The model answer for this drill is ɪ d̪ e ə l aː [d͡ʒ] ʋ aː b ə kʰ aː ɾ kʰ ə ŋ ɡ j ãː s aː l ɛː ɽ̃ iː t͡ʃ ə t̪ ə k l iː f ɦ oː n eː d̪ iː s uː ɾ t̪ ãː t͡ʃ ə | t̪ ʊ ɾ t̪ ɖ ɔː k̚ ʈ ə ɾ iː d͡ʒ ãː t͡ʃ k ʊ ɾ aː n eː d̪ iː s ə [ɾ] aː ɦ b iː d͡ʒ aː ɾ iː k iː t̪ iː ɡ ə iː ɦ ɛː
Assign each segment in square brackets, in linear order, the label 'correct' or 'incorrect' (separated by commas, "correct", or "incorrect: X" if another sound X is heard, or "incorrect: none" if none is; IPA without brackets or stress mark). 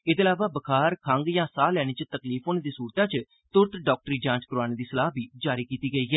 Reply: incorrect: none, incorrect: l